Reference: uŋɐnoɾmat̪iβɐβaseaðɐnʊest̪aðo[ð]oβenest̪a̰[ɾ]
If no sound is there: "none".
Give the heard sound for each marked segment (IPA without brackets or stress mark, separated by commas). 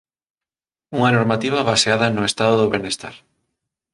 ð, ɾ